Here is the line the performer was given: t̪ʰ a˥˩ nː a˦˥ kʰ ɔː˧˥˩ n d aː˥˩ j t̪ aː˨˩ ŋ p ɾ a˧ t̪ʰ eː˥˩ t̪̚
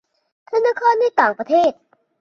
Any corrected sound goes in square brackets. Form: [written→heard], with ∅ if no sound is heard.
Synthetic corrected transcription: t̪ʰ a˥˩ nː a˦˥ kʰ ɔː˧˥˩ n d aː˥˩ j t̪ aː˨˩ ŋ p ɾ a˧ t̪ʰ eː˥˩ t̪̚